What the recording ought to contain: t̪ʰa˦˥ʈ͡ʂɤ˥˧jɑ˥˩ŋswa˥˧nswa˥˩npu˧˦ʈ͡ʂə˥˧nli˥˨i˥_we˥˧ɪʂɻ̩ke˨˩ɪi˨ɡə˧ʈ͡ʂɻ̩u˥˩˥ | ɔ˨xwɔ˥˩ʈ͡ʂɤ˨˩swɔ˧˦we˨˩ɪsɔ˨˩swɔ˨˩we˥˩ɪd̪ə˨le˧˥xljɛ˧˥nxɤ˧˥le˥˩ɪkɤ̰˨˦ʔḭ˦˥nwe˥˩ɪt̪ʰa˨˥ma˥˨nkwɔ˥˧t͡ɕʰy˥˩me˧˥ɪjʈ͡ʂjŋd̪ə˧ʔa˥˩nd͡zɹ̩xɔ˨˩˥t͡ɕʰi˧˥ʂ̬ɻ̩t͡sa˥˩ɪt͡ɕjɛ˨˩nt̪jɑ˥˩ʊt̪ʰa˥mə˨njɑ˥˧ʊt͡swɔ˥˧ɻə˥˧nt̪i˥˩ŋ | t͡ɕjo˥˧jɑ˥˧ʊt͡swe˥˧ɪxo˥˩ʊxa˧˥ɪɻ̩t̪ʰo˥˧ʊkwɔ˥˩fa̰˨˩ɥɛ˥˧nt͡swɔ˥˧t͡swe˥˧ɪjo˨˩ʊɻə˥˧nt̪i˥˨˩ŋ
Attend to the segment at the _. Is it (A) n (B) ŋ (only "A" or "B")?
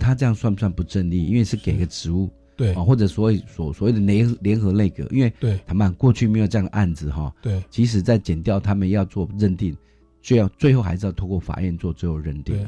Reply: A